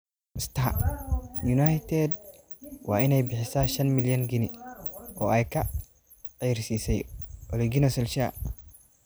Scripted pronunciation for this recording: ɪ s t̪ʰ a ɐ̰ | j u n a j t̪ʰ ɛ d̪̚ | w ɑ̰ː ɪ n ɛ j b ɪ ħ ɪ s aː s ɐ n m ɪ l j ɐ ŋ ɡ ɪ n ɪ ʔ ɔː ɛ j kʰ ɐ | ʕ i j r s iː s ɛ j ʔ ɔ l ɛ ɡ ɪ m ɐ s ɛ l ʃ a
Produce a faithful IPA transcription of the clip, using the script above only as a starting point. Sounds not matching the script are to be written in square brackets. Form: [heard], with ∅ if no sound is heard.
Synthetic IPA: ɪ s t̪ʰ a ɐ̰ | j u n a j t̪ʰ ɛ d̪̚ | w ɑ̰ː ɪ n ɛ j b ɪ ħ ɪ s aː [ʃ] ɐ n m ɪ l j ɐ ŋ ɡ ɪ n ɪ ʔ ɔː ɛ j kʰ ɐ | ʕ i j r s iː s ɛ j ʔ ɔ l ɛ ɡ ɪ [n] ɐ s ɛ l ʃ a